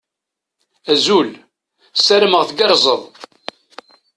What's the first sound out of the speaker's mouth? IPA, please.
æ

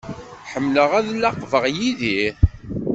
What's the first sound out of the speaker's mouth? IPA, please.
ħ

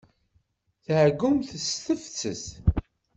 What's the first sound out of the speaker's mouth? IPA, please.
θ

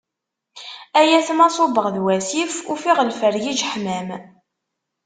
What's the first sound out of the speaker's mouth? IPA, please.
æ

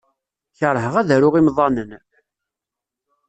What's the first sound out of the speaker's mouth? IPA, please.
ç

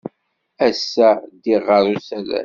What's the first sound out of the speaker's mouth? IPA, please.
æ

